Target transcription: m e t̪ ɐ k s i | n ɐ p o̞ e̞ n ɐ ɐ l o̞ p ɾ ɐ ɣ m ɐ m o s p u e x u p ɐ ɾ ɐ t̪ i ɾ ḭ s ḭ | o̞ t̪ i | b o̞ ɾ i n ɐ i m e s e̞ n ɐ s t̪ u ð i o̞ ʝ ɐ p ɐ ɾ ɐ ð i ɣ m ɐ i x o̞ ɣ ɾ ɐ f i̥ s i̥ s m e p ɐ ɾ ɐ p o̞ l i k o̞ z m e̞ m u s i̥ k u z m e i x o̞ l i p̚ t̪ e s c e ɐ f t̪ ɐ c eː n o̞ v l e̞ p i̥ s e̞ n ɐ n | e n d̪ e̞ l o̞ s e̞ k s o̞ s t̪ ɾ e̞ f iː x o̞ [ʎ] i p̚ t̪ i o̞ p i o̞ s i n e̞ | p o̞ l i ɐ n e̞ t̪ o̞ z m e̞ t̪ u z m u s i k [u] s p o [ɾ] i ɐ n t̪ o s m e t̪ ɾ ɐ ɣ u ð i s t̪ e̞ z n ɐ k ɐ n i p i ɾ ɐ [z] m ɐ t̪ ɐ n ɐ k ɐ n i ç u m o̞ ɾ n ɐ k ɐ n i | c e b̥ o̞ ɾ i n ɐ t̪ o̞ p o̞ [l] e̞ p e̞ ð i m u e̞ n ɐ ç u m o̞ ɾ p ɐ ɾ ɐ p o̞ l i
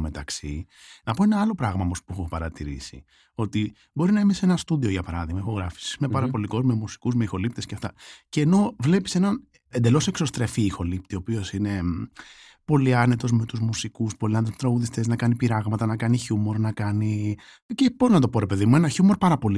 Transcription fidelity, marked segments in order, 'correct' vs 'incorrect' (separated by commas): incorrect, correct, incorrect, incorrect, incorrect